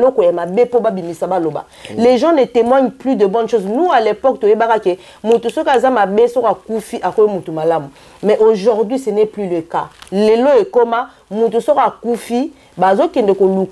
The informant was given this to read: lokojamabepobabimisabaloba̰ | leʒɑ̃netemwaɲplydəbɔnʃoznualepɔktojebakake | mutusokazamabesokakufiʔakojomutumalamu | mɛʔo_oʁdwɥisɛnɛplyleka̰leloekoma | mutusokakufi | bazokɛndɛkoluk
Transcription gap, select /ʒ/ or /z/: ʒ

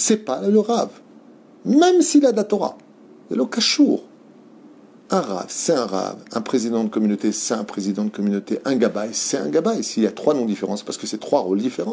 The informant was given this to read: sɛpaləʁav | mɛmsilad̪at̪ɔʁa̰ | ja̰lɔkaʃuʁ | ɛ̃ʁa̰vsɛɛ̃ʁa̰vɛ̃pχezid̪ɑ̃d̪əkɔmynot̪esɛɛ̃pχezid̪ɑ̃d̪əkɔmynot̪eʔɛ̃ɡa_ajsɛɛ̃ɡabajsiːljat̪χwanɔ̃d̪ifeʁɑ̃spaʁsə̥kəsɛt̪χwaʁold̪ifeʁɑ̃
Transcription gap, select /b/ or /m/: b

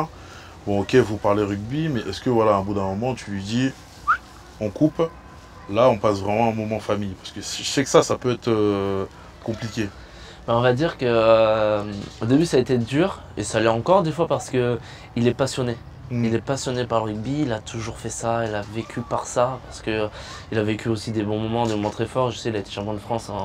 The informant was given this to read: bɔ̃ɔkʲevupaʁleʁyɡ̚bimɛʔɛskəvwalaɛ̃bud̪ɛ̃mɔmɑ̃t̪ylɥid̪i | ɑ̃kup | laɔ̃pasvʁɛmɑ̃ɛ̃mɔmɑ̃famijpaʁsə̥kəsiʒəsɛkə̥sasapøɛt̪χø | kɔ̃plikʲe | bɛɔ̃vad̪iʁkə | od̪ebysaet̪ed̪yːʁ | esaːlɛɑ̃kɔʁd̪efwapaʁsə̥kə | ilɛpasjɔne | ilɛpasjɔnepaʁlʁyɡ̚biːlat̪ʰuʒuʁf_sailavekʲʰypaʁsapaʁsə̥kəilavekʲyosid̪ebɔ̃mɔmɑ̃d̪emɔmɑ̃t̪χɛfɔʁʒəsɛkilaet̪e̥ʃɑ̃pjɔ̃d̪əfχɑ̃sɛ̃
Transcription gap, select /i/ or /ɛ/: ɛ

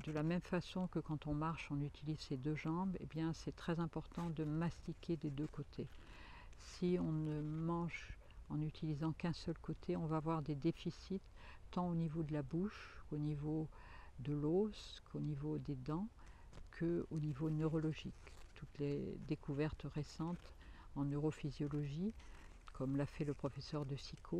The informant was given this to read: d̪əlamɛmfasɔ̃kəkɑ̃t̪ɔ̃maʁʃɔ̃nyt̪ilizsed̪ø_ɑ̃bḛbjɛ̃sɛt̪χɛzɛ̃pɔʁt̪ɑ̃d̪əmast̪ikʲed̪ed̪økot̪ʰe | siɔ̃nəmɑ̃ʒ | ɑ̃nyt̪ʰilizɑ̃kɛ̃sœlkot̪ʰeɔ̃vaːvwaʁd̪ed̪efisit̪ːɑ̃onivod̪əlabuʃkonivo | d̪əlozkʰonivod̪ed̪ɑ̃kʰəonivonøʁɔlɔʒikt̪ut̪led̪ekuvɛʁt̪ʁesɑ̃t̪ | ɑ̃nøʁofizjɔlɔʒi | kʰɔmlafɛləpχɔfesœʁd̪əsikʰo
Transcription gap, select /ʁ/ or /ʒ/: ʒ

